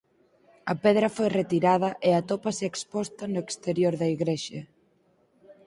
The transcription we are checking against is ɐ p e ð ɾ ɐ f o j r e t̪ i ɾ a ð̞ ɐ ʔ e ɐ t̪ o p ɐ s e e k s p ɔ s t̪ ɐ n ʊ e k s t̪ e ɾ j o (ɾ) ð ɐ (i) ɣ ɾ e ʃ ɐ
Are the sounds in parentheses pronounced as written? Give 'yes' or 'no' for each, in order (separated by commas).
yes, yes